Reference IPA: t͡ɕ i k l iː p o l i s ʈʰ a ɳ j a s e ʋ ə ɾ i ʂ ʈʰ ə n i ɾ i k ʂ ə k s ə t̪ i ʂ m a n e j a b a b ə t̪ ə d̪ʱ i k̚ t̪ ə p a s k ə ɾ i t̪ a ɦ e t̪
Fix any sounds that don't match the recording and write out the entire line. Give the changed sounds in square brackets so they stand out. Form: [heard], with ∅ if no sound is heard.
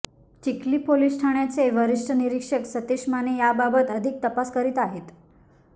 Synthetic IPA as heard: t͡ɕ i k l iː p o l i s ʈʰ a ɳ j a [t͡s] e ʋ ə ɾ i ʂ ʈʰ ə n i ɾ i k ʂ ə k s ə t̪ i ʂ m a n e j a b a b ə t̪ ə d̪ʱ i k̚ t̪ ə p a s k ə ɾ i t̪ a ɦ e t̪